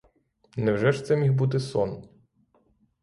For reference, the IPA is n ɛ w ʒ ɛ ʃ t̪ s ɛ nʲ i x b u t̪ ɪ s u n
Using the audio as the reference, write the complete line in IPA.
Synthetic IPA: n ɛ w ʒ ɛ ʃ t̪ s ɛ mʲ i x b u t̪ ɪ s ɔ n